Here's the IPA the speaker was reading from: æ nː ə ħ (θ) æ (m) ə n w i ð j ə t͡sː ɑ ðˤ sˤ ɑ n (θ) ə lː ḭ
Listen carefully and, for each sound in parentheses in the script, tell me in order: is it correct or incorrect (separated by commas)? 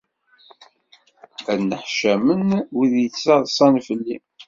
incorrect, correct, incorrect